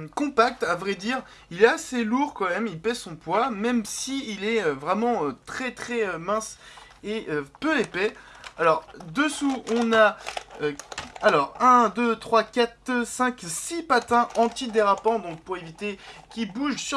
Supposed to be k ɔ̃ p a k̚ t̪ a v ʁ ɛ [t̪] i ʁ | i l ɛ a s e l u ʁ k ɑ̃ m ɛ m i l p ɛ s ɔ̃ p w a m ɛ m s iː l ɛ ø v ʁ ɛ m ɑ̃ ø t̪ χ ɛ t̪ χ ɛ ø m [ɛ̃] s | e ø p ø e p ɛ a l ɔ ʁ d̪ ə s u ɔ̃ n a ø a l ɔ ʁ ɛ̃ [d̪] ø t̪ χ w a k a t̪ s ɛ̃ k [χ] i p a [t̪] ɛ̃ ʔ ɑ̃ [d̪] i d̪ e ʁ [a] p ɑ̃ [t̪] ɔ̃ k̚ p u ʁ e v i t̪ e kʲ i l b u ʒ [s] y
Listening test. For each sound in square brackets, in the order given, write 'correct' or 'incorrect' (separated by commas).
incorrect, correct, correct, incorrect, correct, incorrect, correct, incorrect, correct